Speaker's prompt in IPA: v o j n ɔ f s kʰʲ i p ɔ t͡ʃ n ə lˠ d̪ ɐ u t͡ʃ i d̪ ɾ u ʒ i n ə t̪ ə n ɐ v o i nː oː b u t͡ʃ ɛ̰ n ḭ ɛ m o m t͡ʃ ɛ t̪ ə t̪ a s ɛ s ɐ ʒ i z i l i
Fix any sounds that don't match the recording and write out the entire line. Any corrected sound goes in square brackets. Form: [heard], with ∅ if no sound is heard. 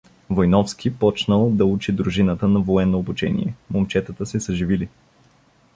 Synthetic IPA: v o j n ɔ f s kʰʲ i p ɔ t͡ʃ n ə lˠ d̪ ɐ u t͡ʃ i d̪ ɾ u ʒ i n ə t̪ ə n ɐ v o [ɛ] nː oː b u t͡ʃ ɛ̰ n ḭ ɛ m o m t͡ʃ ɛ t̪ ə t̪ [ə] s ɛ s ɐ ʒ i [v] i l i